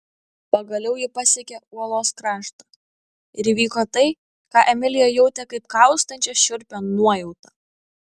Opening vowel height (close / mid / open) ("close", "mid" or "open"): open